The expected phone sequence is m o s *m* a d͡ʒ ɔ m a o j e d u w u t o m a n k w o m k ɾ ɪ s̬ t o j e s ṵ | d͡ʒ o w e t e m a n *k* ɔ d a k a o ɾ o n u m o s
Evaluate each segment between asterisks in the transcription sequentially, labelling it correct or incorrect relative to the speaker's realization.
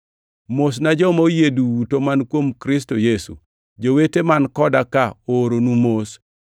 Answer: incorrect: n, correct

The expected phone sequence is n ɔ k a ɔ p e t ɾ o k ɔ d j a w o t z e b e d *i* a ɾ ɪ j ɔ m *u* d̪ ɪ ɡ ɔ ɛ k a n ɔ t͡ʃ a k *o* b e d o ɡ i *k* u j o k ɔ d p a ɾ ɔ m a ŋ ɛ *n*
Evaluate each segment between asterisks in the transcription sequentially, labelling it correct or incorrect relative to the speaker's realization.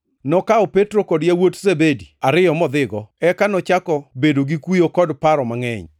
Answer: correct, incorrect: ɔ, incorrect: ɔ, correct, incorrect: ɲ

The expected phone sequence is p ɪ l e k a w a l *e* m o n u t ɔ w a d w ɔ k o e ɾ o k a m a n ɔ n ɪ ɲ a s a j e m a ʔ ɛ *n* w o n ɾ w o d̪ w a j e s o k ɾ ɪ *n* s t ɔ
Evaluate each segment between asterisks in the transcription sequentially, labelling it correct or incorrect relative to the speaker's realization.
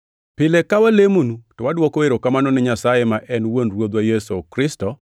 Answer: correct, correct, incorrect: none

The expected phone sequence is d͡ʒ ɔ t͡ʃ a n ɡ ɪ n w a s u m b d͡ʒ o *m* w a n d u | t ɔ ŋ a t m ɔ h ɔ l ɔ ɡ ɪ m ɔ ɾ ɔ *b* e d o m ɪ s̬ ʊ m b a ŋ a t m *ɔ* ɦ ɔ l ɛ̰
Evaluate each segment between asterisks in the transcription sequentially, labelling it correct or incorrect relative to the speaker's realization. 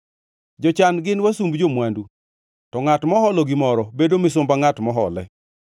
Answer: correct, correct, correct

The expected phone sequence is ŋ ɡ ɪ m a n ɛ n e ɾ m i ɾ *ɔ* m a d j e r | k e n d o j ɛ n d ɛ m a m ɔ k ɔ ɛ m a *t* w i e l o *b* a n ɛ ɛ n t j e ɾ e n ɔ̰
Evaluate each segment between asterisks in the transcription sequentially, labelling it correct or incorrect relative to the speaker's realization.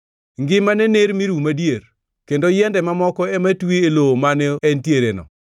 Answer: incorrect: u, correct, incorrect: m

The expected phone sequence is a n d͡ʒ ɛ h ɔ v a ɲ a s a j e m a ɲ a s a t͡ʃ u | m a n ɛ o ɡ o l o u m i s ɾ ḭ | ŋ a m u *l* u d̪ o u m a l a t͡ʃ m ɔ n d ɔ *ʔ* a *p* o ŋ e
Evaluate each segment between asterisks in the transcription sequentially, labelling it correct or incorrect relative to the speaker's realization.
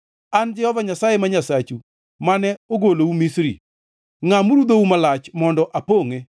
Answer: incorrect: ɾ, correct, correct

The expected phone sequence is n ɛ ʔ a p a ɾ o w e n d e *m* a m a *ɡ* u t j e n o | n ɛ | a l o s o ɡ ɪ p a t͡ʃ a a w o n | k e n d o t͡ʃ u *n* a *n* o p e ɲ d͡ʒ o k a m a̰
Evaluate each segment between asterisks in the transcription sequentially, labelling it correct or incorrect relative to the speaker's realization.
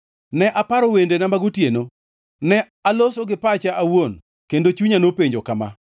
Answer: incorrect: n, correct, incorrect: ɲ, correct

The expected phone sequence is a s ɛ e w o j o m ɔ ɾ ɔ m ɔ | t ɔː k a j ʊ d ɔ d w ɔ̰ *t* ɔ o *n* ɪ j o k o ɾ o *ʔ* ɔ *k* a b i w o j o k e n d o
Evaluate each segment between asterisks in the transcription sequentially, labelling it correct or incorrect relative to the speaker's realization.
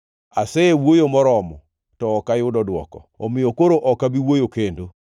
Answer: incorrect: k, incorrect: m, correct, correct

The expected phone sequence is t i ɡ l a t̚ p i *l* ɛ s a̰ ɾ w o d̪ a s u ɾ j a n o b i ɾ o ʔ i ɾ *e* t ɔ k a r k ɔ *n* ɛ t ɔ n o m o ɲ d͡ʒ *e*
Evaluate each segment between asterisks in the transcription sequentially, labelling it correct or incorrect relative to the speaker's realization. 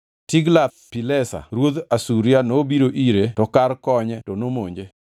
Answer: correct, correct, incorrect: ɲ, correct

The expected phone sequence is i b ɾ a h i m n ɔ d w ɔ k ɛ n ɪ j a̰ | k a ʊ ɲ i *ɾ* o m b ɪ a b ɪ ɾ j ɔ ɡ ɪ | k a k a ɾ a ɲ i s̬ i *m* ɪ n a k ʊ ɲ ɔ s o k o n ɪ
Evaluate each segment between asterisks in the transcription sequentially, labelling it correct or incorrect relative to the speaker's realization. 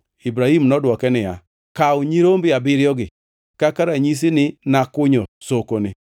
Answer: correct, incorrect: n

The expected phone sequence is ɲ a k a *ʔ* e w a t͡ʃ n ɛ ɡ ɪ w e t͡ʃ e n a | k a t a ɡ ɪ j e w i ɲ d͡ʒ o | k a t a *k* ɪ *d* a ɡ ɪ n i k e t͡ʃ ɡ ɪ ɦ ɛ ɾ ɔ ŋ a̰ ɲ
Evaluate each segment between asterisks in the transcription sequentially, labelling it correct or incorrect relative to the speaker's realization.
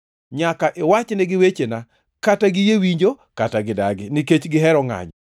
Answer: correct, incorrect: ɡ, correct

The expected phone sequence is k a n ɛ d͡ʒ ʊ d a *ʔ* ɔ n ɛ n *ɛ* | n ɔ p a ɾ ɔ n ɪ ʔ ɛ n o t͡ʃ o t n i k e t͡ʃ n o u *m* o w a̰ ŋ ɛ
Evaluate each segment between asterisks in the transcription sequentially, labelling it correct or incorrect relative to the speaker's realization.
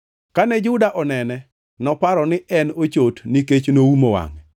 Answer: correct, correct, correct

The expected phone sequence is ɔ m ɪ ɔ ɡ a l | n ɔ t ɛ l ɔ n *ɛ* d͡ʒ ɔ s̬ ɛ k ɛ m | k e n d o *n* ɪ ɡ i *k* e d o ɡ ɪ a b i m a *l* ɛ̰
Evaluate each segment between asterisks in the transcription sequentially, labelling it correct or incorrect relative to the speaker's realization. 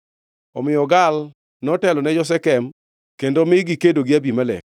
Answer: correct, incorrect: m, correct, correct

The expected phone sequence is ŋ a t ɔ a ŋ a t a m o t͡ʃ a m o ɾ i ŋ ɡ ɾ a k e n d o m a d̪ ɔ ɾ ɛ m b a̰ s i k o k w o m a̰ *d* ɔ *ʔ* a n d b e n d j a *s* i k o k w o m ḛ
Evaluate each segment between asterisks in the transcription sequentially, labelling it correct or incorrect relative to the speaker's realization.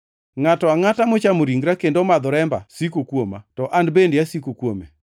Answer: incorrect: t, correct, correct

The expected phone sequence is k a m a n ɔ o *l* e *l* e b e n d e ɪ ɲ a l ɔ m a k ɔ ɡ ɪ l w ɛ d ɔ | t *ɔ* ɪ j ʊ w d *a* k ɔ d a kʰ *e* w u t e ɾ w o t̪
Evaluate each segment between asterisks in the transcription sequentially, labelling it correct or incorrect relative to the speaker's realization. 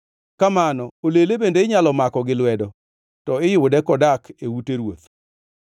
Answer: correct, correct, correct, incorrect: ɛ, correct

